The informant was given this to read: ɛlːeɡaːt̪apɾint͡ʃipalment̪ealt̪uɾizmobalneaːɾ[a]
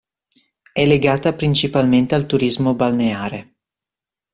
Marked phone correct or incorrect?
incorrect: e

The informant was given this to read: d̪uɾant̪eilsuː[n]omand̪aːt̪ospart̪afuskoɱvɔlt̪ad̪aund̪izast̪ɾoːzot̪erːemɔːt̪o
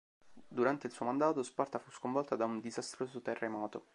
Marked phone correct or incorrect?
incorrect: none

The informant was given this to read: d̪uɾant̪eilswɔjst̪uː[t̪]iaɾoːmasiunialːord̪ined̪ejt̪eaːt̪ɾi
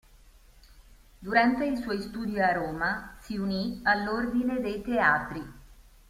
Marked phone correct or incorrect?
incorrect: d̪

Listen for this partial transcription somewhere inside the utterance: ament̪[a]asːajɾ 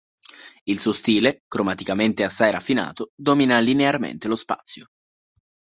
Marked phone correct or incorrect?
incorrect: e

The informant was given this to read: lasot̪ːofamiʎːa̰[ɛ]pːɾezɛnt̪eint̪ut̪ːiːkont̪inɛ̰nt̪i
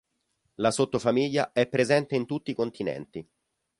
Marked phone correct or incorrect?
correct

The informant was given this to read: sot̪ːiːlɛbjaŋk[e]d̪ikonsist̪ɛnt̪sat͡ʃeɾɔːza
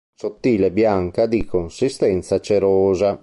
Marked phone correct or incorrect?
incorrect: a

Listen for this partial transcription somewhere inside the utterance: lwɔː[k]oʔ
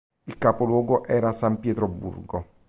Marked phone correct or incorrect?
incorrect: ɡ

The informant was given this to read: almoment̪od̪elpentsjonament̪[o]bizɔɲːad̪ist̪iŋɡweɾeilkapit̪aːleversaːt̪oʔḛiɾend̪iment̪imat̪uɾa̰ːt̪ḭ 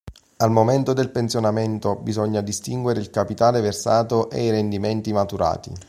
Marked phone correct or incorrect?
correct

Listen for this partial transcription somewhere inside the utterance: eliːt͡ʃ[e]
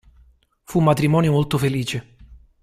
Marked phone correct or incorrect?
correct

